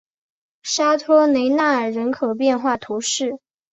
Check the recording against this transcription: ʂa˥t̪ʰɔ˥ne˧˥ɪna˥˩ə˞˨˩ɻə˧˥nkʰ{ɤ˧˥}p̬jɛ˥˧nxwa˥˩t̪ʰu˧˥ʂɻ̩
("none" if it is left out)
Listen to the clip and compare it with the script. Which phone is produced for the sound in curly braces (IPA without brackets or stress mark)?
ɤ˨˩